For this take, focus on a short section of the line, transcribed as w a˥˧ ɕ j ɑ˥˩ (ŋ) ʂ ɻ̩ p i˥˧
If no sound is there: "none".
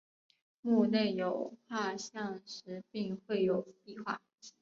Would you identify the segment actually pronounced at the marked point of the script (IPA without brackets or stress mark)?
ŋ